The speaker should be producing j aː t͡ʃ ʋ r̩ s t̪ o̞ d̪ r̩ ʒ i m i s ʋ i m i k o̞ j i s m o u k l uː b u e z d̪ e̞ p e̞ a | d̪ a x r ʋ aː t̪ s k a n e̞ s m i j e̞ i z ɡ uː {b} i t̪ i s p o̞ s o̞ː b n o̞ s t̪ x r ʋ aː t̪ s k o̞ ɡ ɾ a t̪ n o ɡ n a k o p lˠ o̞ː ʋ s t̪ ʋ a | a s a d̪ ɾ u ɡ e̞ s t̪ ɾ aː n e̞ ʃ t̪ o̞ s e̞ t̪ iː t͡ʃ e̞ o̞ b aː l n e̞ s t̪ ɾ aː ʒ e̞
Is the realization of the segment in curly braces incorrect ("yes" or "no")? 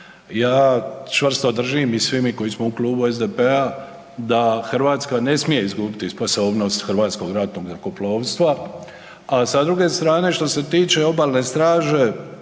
no